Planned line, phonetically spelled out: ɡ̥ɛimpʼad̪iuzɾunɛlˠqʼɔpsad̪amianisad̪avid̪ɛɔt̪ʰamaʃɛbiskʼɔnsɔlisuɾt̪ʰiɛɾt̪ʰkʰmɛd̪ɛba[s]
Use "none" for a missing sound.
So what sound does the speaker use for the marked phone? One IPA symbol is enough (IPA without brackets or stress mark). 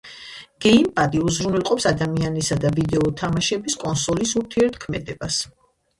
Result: s